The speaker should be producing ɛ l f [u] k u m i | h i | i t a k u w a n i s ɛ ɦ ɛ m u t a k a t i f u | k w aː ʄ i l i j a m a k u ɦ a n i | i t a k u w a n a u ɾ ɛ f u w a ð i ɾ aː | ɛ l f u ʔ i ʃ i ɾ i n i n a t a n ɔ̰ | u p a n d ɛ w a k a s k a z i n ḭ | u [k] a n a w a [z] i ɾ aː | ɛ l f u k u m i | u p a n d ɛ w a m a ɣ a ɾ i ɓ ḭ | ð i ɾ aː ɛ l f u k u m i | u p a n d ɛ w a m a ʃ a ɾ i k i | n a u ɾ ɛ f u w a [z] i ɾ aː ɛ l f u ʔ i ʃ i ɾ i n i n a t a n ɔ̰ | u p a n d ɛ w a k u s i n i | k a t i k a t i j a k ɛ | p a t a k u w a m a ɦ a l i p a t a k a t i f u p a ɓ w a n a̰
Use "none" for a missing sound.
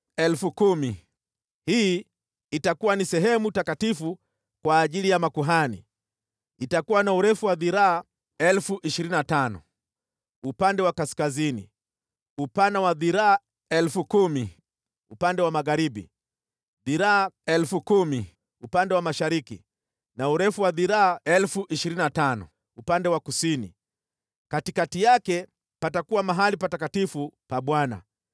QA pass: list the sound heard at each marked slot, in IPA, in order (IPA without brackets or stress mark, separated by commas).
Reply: u, p, ð, ð